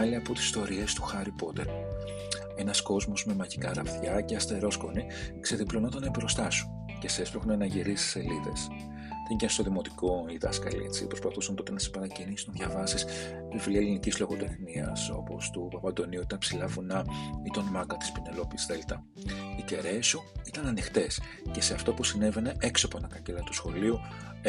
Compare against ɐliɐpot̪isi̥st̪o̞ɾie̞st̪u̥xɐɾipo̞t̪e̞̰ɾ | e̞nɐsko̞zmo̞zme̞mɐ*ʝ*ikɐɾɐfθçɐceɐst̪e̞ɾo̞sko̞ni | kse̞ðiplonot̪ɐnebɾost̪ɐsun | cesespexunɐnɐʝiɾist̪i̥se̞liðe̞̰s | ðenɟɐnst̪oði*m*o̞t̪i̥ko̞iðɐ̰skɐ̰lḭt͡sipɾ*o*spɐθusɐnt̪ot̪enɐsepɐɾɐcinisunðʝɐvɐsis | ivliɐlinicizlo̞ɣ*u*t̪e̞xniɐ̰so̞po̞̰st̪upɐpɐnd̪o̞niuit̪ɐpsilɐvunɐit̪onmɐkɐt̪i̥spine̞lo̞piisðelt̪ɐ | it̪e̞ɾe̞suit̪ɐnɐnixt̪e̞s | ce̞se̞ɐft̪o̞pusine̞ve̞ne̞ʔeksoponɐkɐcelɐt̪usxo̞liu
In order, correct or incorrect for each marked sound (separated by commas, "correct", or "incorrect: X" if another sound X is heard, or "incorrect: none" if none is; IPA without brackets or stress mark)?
correct, correct, correct, incorrect: o